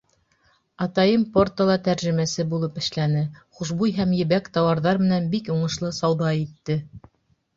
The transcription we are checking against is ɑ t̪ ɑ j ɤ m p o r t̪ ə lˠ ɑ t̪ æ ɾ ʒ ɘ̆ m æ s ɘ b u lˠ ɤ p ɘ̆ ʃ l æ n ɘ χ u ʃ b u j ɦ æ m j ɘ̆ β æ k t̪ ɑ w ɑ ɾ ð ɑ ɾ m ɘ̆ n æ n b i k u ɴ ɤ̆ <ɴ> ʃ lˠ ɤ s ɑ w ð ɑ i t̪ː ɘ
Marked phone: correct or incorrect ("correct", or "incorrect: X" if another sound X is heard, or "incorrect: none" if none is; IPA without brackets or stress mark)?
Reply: incorrect: none